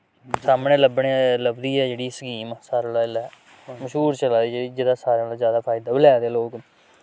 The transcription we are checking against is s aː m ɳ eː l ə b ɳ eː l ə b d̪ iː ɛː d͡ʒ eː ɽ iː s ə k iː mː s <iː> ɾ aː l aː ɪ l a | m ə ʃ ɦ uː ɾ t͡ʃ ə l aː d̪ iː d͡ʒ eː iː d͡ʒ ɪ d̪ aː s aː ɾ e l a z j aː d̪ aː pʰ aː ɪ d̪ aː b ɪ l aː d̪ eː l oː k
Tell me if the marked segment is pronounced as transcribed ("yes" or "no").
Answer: no